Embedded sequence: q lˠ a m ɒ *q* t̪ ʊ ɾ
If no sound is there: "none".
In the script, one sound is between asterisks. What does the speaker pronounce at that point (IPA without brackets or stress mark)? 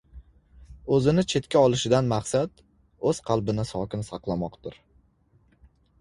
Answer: q